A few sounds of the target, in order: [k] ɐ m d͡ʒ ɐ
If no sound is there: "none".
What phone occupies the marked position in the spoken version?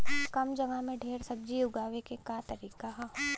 k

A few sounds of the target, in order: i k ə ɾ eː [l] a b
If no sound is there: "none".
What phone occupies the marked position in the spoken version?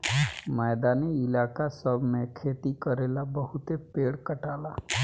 l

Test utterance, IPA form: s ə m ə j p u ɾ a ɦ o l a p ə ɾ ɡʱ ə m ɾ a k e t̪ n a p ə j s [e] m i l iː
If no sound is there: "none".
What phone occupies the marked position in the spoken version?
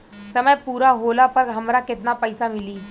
a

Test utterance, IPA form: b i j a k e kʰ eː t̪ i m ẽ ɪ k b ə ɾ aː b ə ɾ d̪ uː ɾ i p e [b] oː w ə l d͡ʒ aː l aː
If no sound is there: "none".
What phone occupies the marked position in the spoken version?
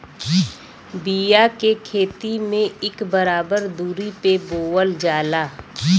b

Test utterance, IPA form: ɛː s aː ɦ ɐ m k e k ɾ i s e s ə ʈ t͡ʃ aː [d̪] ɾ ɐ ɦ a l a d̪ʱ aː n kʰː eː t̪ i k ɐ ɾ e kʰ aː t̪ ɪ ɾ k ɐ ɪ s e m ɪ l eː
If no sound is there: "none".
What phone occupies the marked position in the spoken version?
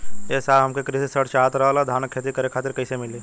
t̪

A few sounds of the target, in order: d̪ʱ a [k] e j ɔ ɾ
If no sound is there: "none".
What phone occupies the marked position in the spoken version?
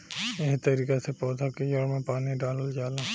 k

